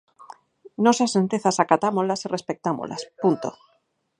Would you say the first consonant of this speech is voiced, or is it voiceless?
voiced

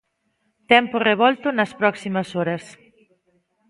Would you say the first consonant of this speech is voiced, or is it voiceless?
voiceless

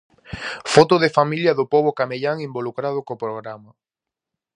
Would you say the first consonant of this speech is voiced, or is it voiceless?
voiceless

